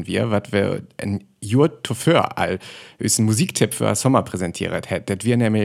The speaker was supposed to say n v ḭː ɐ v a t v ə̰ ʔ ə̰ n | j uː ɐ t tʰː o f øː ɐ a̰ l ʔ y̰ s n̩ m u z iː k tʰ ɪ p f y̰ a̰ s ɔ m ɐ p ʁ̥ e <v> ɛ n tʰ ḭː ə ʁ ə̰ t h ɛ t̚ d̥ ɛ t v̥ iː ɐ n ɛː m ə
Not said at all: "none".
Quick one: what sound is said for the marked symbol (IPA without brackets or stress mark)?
z